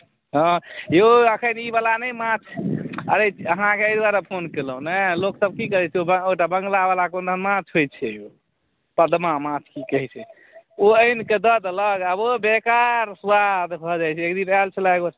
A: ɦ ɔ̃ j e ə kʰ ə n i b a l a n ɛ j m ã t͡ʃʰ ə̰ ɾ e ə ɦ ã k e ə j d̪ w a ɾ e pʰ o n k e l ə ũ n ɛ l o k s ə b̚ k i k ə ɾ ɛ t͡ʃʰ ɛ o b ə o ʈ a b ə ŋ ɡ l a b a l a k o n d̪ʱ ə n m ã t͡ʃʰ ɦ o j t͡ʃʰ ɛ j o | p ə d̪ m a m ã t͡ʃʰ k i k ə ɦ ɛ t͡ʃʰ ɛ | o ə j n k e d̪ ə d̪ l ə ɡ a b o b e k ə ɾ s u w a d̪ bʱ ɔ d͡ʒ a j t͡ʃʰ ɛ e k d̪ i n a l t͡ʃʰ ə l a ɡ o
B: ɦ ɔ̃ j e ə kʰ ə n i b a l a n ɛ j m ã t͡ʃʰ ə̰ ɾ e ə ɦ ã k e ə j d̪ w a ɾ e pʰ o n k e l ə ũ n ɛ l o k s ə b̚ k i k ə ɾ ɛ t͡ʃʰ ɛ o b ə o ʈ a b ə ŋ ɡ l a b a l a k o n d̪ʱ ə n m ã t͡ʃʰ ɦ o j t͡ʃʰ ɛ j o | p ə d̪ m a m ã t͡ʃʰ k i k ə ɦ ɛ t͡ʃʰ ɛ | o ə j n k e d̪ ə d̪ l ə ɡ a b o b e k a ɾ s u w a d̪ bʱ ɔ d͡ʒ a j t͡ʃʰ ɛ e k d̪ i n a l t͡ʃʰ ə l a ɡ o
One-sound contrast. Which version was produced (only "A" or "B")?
B